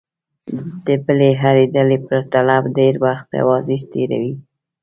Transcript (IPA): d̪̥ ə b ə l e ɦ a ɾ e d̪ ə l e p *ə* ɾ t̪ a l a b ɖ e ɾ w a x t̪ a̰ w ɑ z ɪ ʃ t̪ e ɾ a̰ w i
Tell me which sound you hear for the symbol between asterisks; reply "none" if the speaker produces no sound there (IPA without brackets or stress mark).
ə